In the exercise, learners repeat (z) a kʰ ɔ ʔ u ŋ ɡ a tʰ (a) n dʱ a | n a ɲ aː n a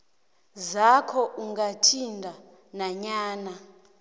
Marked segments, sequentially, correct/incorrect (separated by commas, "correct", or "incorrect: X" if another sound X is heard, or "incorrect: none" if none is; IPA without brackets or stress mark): correct, incorrect: i